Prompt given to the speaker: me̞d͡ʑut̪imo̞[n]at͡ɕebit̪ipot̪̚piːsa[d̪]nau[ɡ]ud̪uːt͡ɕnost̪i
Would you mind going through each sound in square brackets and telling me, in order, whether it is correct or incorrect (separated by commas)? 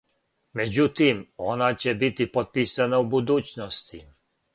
correct, incorrect, incorrect